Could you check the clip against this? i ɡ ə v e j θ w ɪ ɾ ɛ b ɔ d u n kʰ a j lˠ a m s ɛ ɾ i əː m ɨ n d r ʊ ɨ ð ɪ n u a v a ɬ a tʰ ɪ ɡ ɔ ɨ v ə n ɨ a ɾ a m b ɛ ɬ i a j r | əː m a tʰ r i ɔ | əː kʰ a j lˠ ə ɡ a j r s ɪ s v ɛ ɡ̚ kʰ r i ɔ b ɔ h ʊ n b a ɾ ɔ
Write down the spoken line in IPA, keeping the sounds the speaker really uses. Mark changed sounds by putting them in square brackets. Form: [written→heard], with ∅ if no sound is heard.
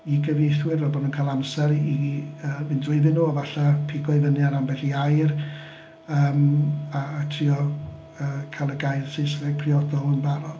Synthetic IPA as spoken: i ɡ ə v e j θ w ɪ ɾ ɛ b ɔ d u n kʰ a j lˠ a m s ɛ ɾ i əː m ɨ n d r ʊ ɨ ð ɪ n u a v a ɬ a [tʰ→pʰ] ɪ ɡ ɔ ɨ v ə n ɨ a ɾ a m b ɛ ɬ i a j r | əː m a tʰ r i ɔ | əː kʰ a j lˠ ə ɡ a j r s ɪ s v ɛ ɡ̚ [kʰ→pʰ] r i ɔ [b→d] ɔ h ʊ n b a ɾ ɔ